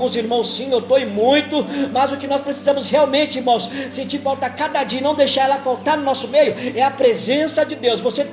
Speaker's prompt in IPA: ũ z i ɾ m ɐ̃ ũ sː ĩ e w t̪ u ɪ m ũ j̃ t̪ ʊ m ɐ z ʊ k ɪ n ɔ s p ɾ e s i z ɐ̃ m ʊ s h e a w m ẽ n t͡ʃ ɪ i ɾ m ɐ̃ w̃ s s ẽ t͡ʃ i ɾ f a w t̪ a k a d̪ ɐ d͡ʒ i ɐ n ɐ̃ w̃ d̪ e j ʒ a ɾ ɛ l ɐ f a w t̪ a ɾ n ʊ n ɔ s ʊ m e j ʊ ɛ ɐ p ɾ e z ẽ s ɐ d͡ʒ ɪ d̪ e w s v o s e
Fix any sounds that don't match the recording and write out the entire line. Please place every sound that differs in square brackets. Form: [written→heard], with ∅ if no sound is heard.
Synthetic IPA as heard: ũ z i ɾ m ɐ̃ [ũ→w̃] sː ĩ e w t̪ [u→o] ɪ m ũ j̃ t̪ ʊ m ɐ z ʊ k ɪ n ɔ s p ɾ e s i z ɐ̃ m ʊ s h e a w m ẽ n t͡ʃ ɪ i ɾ m ɐ̃ w̃ s s ẽ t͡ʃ i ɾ f a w t̪ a k a d̪ ɐ d͡ʒ i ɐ n ɐ̃ w̃ d̪ e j [ʒ→ʃ] a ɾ ɛ l ɐ f a w t̪ a ɾ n ʊ n ɔ s ʊ m e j ʊ ɛ ɐ p ɾ e z ẽ s ɐ d͡ʒ ɪ d̪ e w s v o s e